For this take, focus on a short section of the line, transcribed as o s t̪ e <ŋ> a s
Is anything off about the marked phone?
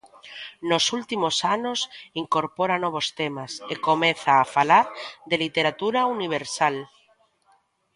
yes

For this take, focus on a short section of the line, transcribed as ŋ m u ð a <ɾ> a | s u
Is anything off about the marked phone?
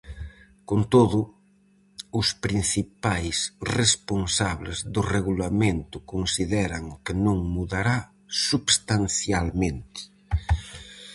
no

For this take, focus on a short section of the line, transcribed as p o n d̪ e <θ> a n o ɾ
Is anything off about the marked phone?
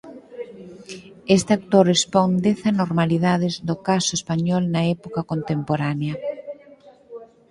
no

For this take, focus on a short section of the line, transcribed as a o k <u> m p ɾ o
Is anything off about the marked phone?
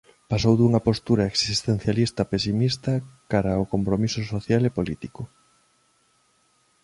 yes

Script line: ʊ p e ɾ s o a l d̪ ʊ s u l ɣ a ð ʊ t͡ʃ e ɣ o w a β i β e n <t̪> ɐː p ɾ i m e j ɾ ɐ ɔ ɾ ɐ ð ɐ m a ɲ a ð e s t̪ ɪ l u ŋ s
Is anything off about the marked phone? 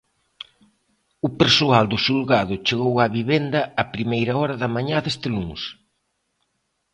yes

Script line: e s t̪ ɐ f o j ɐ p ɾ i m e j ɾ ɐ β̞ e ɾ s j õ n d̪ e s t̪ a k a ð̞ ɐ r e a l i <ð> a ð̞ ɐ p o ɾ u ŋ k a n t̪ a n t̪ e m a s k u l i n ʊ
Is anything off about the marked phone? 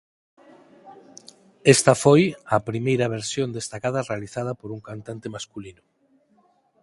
yes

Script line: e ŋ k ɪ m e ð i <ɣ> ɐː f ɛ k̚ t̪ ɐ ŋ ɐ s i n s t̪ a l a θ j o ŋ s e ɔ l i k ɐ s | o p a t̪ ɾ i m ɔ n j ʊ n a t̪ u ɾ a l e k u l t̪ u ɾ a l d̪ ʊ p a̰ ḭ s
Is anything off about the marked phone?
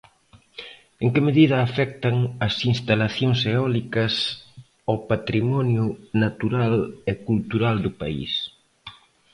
yes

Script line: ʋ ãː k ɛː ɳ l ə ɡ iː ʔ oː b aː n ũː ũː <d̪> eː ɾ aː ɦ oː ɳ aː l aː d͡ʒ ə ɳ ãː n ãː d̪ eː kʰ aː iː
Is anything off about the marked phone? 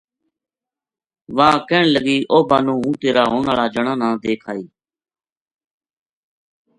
yes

